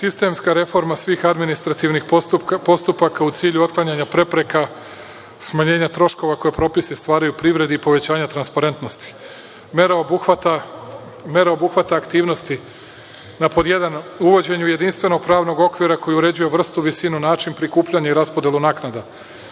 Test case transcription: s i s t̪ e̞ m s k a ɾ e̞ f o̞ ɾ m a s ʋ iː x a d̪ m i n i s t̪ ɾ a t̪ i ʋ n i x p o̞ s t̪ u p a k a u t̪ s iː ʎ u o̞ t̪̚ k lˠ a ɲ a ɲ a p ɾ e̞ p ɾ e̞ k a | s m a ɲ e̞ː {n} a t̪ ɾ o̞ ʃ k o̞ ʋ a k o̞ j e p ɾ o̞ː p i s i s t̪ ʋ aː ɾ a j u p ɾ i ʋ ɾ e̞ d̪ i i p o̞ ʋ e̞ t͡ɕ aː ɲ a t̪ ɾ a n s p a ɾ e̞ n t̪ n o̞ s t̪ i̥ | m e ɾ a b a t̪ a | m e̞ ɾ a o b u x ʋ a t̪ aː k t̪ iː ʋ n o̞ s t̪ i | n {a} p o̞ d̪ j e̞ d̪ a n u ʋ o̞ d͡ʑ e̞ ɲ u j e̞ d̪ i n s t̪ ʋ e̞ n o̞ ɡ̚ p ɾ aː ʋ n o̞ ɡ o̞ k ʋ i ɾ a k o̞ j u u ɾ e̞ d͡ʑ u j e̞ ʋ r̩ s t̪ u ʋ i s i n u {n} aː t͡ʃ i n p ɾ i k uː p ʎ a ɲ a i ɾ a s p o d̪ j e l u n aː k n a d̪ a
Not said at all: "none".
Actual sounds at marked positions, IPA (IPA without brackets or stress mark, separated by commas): ɲ, a, n